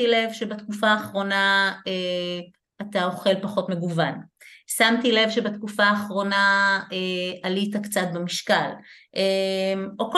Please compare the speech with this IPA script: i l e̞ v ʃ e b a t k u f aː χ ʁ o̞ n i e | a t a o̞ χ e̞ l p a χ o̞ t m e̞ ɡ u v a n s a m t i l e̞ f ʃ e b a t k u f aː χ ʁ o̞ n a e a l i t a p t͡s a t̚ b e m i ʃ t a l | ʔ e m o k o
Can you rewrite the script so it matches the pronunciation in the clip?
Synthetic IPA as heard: i l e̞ v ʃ e b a t k u f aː χ ʁ o̞ n a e | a t a o̞ χ e̞ l p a χ o̞ t m e̞ ɡ u v a n s a m t i l e̞ v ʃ e b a t k u f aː χ ʁ o̞ n a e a l i t a k t͡s a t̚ b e m i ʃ k a l | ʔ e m o k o